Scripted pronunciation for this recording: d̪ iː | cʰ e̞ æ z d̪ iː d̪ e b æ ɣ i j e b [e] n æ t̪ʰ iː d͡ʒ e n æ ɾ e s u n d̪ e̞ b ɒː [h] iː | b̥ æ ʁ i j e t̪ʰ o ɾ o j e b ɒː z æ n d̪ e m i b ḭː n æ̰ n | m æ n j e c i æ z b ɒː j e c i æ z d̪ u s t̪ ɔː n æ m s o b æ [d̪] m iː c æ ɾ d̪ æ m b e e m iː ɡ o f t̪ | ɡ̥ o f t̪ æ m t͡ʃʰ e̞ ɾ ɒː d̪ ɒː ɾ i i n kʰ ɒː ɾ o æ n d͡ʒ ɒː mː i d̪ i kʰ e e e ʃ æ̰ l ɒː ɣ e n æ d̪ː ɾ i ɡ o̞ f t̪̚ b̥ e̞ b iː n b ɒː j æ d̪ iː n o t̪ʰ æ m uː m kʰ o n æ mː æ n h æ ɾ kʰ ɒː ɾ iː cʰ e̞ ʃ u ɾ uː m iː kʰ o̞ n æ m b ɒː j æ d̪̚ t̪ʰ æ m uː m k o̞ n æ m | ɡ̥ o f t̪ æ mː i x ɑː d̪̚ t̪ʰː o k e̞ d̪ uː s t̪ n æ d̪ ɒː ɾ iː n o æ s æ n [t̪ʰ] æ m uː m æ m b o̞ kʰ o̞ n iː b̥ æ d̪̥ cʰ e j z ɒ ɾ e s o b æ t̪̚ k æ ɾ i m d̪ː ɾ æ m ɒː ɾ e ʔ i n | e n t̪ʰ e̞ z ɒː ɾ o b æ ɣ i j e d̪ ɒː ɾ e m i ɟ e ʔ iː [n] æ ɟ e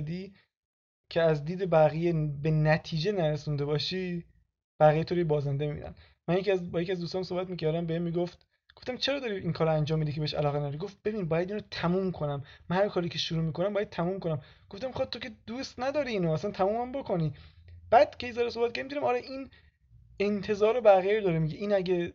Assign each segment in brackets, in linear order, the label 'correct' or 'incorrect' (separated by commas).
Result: correct, incorrect, incorrect, correct, correct